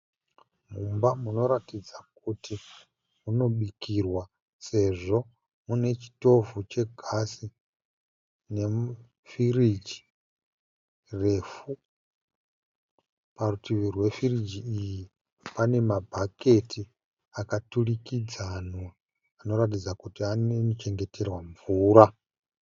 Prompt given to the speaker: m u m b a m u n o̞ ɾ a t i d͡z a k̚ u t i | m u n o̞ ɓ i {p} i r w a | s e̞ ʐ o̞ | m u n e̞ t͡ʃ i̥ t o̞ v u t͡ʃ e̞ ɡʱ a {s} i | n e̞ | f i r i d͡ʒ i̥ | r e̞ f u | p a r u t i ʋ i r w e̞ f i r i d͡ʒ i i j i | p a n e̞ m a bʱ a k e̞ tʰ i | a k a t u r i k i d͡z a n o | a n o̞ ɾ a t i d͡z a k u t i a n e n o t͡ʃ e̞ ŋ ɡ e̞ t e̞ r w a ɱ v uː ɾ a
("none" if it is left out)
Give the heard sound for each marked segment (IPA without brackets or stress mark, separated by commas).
k, s